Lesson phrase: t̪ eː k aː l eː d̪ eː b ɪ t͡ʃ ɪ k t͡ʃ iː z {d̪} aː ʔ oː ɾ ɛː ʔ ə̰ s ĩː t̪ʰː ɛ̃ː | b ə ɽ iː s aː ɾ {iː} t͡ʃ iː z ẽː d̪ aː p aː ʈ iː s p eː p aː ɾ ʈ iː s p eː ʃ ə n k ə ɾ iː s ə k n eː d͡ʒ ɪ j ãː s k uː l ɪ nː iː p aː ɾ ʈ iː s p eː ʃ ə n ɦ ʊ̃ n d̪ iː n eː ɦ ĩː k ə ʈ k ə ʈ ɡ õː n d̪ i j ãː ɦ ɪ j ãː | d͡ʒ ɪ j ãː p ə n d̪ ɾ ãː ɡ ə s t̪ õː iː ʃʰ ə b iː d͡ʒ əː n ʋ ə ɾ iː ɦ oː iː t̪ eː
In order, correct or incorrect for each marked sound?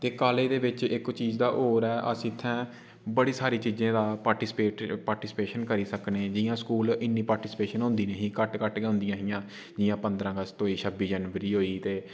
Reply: correct, correct

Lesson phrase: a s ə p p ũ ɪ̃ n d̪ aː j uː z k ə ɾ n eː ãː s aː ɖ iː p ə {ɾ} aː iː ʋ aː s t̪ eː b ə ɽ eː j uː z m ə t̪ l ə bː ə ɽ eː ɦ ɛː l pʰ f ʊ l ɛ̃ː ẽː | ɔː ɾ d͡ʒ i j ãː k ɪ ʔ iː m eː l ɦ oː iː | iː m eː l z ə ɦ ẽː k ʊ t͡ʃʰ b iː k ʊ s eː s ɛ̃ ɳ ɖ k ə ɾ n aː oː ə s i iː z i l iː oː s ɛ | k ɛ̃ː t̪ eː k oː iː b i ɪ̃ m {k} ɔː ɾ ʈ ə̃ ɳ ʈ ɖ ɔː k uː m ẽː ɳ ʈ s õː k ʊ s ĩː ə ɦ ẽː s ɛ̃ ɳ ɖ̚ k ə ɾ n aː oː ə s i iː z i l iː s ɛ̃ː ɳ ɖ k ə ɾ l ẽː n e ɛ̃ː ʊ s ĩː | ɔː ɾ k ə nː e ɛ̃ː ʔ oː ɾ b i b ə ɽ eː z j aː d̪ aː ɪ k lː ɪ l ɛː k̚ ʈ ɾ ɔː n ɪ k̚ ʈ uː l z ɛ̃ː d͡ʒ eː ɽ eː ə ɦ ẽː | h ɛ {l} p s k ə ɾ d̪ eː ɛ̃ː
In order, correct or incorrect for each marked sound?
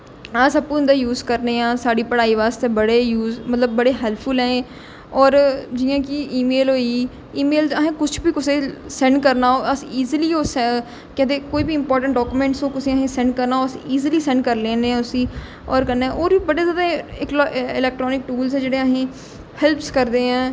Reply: incorrect: ɽ, incorrect: p, correct

